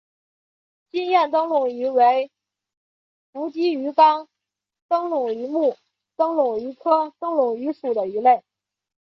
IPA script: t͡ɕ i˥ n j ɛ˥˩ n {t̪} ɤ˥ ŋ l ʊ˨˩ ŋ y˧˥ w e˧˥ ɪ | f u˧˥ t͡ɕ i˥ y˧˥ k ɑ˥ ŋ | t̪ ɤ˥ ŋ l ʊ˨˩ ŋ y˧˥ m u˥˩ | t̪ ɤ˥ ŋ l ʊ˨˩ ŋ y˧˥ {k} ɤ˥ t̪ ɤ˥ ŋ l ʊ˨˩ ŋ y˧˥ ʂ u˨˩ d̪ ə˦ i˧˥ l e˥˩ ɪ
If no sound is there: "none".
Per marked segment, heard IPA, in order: t̪, kʰ

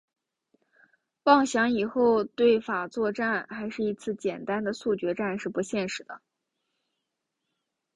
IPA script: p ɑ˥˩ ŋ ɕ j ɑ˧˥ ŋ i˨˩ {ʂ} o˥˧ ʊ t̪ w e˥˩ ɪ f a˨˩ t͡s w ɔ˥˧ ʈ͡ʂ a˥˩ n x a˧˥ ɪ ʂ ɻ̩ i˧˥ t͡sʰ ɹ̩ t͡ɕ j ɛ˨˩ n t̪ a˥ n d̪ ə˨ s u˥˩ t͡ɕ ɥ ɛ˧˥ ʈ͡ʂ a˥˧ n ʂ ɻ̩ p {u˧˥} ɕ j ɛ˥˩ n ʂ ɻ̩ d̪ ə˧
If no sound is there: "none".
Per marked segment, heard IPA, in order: x, u˧˥

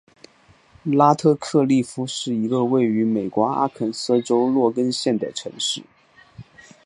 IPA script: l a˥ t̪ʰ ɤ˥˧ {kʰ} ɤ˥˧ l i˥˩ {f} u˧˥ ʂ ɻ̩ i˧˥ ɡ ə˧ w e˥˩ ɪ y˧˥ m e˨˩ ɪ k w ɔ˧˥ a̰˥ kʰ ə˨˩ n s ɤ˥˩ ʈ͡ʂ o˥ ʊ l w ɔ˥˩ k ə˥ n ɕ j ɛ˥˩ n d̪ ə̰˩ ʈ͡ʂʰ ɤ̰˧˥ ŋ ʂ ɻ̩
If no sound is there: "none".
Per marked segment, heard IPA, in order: kʰ, f

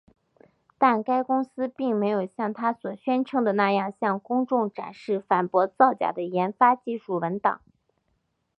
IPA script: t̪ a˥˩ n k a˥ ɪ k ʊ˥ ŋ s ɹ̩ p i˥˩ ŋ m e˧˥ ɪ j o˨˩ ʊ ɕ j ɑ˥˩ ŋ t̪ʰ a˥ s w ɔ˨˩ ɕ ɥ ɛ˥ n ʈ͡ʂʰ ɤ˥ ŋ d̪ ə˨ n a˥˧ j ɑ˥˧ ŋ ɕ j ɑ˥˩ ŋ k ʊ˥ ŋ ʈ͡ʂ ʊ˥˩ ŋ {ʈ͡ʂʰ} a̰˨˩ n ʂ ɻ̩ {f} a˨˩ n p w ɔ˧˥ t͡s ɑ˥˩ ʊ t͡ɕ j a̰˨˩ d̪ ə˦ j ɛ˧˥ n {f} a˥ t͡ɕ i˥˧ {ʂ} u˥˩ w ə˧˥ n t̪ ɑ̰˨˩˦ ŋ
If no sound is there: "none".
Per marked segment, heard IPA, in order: ʈ͡ʂ, f, f, ʂ

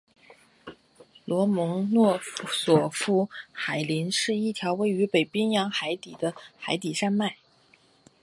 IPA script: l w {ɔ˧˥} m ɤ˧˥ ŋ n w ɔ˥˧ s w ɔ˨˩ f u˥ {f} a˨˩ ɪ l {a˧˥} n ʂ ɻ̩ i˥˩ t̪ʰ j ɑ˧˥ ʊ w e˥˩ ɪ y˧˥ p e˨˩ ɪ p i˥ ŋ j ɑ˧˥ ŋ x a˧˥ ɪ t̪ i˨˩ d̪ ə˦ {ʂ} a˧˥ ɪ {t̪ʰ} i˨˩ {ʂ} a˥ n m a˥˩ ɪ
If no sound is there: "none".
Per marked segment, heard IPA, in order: ɔ˧˥, x, i˧˥, x, t̪, ʂ

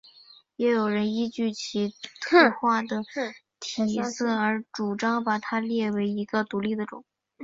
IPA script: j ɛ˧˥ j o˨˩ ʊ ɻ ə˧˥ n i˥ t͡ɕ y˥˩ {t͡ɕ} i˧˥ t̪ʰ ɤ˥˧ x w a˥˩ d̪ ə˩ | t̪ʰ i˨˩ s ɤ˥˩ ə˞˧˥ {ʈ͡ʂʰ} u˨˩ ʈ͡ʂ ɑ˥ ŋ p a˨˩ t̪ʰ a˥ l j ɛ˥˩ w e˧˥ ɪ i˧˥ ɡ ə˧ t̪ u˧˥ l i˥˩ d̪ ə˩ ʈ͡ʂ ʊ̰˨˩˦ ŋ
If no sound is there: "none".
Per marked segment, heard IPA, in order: t͡ɕʰ, ʈ͡ʂ

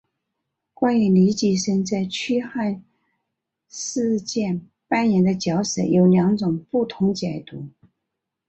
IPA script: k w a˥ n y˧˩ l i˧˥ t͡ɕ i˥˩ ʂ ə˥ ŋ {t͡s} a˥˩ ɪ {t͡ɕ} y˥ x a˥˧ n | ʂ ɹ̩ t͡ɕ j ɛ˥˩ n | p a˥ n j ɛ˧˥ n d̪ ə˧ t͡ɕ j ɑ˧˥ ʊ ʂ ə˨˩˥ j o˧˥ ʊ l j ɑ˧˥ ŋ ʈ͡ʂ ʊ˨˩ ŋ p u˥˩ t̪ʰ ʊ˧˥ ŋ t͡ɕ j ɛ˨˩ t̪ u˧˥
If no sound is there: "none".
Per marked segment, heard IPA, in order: t͡s, t͡ɕʰ

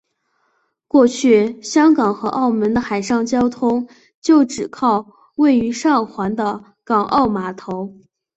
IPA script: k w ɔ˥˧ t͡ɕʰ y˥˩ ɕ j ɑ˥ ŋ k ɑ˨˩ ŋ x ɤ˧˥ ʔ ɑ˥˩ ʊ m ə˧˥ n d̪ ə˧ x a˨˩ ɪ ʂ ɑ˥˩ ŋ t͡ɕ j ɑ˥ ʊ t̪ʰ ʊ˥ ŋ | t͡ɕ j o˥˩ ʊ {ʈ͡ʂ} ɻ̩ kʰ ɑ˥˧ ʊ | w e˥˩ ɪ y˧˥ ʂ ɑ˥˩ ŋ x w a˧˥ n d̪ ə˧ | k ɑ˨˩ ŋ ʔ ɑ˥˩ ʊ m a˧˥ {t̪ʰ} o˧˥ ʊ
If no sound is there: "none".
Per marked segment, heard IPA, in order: ʈ͡ʂ, t̪ʰ

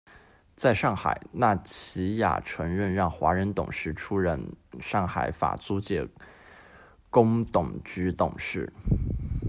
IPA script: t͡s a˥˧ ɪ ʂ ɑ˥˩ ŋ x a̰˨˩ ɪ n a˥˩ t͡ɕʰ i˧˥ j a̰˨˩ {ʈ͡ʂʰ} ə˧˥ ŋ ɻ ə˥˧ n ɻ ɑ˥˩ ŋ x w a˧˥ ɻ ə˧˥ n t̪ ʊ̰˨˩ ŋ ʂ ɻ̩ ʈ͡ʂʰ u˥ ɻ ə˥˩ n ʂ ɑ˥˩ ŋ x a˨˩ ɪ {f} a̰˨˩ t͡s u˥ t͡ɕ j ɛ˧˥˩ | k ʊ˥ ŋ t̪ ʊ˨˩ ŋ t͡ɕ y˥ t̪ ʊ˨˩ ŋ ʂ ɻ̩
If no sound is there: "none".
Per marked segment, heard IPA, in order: ʈ͡ʂʰ, f

